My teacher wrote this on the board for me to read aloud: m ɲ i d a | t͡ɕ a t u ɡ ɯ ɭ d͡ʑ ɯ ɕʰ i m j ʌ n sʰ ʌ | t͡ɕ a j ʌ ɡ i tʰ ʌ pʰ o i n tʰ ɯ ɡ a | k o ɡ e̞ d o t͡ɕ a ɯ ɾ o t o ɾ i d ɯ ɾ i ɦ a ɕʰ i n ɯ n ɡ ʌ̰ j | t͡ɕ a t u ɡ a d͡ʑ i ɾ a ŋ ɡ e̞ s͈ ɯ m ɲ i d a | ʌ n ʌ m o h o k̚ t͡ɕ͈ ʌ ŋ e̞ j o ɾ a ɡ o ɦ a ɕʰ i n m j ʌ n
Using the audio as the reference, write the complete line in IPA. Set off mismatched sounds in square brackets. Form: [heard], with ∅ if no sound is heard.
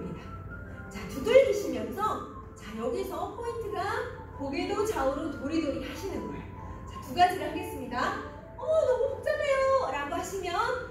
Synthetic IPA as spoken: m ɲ i d a | t͡ɕ a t u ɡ ɯ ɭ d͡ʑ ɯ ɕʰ i m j ʌ n sʰ ʌ | t͡ɕ a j ʌ ɡ i [sʰ] ʌ pʰ o i n tʰ ɯ ɡ a | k o ɡ e̞ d o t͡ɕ a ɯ ɾ o t o ɾ i d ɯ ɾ i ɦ a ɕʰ i n ɯ n ɡ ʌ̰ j | t͡ɕ a t u ɡ a d͡ʑ i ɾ a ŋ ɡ e̞ s͈ ɯ m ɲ i d a | ʌ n ʌ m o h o k̚ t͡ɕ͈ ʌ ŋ e̞ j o ɾ a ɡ o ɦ a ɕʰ i [∅] m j ʌ n